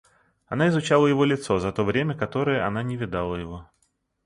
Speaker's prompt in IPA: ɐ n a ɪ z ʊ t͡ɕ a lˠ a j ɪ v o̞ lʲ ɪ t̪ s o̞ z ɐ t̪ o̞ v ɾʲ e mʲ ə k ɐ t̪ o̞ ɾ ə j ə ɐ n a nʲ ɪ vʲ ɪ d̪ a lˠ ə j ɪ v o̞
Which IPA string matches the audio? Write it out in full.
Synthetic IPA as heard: ɐ n a ɪ z ʊ t͡ɕ a lˠ ə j ɪ v o̞ lʲ ɪ t̪ s o̞ z ɐ t̪ o̞ v ɾʲ e mʲ ə k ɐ t̪ o̞ ɾ ə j ə ɐ n a nʲ ɪ vʲ ɪ d̪ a lˠ ə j ɪ v o̞